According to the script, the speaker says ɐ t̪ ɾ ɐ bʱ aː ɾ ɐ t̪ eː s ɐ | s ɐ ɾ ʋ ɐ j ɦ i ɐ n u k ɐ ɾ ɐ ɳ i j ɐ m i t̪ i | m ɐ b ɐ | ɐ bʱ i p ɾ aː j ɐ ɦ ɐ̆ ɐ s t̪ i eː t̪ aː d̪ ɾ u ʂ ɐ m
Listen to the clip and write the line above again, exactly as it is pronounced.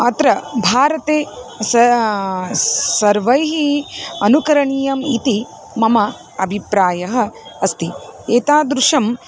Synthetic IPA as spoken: ɐ t̪ ɾ ɐ bʱ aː ɾ ɐ t̪ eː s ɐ | s ɐ ɾ ʋ ɐ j ɦ i ɐ n u k ɐ ɾ ɐ ɳ i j ɐ m i t̪ i | m ɐ m ɐ | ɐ bʱ i p ɾ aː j ɐ ɦ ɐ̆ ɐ s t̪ i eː t̪ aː d̪ ɾ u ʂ ɐ m